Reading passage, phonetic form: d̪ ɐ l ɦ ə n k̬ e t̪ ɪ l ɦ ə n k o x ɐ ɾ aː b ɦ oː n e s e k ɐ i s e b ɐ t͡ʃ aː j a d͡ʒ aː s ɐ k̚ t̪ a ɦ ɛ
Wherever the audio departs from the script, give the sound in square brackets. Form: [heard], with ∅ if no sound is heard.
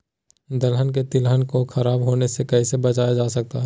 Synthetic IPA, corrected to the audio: d̪ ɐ l ɦ ə n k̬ e t̪ ɪ l ɦ ə n k o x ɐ ɾ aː b ɦ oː n e s e k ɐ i s e b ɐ t͡ʃ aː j a d͡ʒ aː s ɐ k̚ t̪ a ɦ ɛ